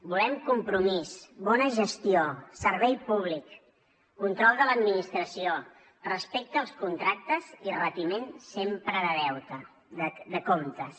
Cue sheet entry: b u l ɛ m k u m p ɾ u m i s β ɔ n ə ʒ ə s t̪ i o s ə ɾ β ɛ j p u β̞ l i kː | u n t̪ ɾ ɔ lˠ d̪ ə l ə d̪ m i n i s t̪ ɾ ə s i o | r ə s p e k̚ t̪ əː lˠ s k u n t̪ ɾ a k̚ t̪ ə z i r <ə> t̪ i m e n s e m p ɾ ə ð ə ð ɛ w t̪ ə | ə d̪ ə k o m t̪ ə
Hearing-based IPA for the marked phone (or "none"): ə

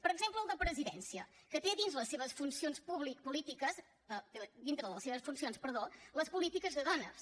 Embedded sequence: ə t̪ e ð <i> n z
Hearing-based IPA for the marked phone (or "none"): i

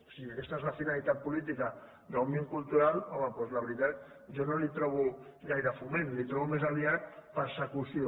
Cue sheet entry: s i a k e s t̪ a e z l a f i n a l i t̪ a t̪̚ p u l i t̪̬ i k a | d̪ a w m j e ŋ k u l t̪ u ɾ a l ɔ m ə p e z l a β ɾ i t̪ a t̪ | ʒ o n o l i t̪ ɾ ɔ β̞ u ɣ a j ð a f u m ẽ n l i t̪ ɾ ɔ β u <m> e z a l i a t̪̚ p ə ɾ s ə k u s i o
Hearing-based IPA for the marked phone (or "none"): m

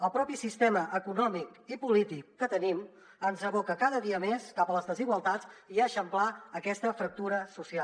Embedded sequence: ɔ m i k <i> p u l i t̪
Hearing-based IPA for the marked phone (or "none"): i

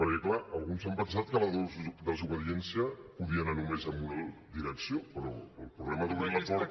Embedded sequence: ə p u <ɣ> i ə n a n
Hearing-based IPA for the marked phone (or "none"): ð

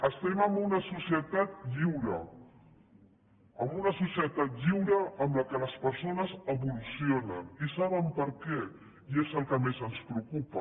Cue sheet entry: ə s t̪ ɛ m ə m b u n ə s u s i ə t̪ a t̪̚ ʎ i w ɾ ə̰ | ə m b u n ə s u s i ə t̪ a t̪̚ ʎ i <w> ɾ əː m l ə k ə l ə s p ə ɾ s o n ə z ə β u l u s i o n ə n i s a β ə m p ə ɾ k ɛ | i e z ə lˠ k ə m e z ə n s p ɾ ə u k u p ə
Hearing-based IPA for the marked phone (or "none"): w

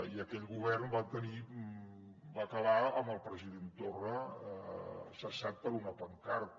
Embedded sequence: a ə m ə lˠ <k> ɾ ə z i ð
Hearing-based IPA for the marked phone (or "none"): p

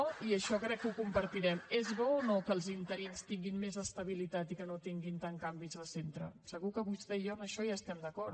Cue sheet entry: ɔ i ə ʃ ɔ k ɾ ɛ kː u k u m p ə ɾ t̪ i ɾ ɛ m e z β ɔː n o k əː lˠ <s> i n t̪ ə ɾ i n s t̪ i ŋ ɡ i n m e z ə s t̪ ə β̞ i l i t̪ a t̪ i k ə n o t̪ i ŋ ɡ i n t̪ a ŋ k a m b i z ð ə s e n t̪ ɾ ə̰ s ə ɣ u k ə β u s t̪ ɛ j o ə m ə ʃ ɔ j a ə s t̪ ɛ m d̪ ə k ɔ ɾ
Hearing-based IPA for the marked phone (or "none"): z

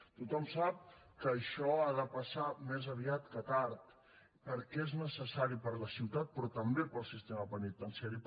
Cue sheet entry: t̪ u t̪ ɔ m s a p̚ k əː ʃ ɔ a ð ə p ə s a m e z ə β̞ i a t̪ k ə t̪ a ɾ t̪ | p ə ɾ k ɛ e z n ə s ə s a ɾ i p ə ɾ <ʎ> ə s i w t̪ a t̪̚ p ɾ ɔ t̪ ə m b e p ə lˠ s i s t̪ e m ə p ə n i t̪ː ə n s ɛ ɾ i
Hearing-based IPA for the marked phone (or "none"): l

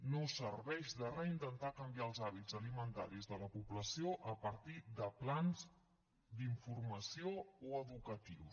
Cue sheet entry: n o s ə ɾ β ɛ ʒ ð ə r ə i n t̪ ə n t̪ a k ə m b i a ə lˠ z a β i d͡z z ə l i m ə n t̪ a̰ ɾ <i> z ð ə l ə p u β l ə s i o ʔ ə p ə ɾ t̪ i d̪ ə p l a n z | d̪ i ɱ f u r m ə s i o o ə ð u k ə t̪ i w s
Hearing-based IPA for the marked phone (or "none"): i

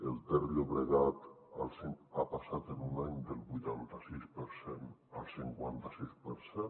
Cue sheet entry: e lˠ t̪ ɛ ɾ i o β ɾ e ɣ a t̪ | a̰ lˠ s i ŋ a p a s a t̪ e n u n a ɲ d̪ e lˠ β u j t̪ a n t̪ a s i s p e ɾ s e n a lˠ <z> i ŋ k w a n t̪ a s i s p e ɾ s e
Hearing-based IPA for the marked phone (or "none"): s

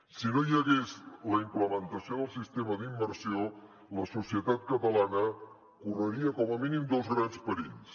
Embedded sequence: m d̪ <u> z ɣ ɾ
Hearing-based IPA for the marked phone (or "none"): o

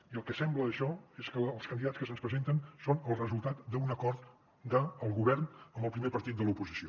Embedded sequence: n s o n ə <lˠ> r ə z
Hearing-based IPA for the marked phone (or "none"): lˠ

